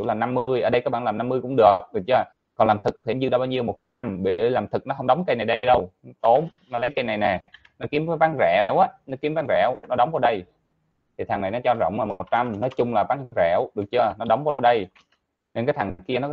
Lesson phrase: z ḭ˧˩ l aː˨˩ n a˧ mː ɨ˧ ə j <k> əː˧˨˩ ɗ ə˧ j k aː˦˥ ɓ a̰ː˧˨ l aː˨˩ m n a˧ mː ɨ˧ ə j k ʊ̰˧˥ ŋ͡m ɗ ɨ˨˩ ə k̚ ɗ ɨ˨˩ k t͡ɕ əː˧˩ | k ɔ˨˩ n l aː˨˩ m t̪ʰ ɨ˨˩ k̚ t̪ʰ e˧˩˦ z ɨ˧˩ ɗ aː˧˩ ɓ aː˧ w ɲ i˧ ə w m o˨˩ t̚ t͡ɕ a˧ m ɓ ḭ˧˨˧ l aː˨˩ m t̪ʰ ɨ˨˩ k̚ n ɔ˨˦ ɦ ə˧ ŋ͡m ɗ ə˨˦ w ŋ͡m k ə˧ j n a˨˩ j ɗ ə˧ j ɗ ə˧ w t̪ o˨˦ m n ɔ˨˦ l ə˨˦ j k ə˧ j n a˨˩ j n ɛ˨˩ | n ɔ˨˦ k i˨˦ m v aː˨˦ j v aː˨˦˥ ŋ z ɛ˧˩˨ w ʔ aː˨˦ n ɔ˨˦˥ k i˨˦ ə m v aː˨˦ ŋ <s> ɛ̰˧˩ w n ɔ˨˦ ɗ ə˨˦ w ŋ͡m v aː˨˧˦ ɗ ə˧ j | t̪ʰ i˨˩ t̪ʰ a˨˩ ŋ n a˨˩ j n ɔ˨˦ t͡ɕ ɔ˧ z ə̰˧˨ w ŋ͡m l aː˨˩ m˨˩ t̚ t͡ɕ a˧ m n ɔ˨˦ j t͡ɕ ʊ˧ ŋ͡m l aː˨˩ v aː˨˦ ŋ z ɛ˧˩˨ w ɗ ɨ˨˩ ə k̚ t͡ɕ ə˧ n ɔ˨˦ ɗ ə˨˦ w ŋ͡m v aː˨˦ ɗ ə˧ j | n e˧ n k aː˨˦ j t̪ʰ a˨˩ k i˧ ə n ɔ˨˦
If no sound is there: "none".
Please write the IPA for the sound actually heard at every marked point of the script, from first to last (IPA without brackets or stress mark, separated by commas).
ʔ, z